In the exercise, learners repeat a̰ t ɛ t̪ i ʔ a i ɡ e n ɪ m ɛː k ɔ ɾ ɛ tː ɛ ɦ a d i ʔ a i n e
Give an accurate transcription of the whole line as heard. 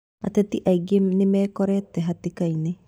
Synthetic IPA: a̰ t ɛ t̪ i ʔ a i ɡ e n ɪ m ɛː k ɔ ɾ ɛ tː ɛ ɦ a t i k a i n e